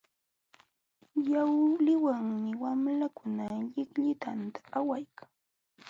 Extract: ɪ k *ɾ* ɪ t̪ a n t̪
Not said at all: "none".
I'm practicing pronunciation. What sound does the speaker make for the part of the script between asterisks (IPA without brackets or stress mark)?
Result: ʎ